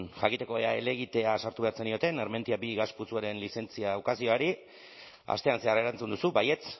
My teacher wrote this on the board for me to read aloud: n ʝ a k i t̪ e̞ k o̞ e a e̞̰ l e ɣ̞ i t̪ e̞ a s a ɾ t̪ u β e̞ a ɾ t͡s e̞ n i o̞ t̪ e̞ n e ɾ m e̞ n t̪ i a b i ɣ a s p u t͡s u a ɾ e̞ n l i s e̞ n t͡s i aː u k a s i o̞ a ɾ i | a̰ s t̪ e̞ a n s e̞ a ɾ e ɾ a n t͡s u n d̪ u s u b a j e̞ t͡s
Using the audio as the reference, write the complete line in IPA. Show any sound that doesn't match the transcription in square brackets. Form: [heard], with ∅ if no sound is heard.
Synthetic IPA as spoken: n ʝ a k i t̪ e̞ k o̞ e a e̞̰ l e ɣ̞ i t̪ e̞ a s a ɾ t̪ u β e̞ a ɾ t͡s e̞ n i o̞ t̪ e̞ n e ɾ m e̞ n t̪ i a b i ɣ a s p u t͡s u a ɾ e̞ n l i s e̞ n t͡s i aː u k a s i o̞ a ɾ i | a̰ s t̪ e̞ a n s e̞ a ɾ e ɾ a n t͡s u n d̪ u s u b a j e̞ t͡s